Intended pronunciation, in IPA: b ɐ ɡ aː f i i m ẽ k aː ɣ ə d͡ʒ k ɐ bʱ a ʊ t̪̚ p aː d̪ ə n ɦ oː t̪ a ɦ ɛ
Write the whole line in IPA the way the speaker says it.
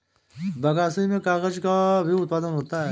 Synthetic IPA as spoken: b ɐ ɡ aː s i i m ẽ k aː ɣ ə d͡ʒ k a bʱ i ʊ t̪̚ p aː d̪ ə n ɦ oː t̪ a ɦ ɛ